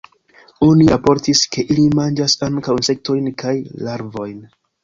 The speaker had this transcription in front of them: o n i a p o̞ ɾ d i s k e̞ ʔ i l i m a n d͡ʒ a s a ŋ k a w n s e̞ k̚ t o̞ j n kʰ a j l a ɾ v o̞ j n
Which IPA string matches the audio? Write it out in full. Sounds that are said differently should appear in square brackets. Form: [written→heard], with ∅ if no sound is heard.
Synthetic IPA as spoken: o n i a p o̞ ɾ [d→t] i s k e̞ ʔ i l i m a n d͡ʒ a s a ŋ k a w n s e̞ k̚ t o̞ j n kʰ a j l a ɾ v o̞ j n